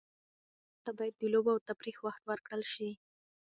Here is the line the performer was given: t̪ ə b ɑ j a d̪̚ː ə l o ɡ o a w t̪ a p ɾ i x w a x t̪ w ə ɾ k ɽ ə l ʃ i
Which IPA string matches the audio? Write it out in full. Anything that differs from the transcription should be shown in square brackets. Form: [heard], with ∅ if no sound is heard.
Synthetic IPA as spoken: t̪ [a] b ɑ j a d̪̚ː ə l o [b] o a w t̪ a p ɾ i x w a x t̪ w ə ɾ k ɽ ə l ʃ i